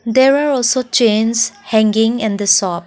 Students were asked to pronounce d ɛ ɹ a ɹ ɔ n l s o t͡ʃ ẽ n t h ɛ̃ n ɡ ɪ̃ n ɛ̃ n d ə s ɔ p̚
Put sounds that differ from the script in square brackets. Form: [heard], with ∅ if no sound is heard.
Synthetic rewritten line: d ɛ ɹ a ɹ ɔ [∅] l s o t͡ʃ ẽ n [s] h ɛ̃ [ŋ] ɡ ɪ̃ [ŋ] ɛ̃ n d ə s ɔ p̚